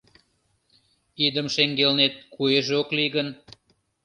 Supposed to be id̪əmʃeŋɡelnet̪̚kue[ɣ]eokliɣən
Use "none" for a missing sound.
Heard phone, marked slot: ʒ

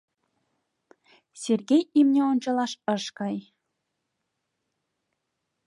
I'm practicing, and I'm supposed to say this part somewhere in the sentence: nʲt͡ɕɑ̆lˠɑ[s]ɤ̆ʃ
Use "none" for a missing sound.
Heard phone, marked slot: ʃ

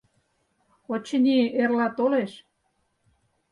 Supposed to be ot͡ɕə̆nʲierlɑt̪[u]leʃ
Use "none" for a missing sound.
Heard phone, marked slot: o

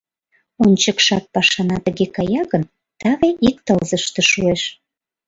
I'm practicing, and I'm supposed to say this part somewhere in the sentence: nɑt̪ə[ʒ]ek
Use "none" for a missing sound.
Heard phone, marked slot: ɣ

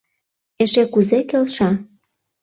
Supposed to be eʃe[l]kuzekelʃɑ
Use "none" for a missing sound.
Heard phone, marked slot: none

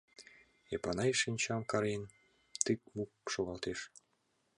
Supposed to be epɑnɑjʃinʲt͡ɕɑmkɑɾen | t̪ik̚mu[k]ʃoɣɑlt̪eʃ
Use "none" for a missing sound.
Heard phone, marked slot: k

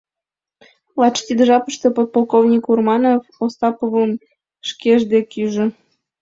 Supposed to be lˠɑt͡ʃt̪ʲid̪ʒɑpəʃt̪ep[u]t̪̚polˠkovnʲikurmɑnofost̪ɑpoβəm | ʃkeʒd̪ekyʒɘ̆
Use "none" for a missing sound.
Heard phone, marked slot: o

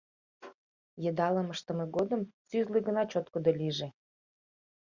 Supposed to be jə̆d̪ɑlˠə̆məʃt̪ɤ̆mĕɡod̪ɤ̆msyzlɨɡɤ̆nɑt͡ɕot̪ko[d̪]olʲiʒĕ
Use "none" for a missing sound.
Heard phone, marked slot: d̪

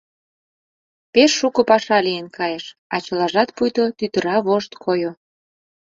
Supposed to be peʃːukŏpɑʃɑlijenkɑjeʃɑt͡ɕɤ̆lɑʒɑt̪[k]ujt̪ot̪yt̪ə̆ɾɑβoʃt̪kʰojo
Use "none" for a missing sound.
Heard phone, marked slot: p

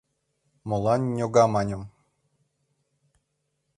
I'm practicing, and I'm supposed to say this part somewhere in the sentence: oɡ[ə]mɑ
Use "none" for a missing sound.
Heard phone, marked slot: ɑ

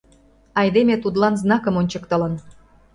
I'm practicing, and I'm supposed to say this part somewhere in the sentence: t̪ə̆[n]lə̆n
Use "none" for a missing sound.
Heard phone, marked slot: none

